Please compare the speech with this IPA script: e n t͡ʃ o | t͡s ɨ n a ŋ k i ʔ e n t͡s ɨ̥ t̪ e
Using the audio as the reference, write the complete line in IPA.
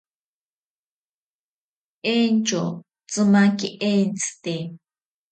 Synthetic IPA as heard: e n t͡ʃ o | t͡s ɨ m a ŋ k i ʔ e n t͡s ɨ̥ t̪ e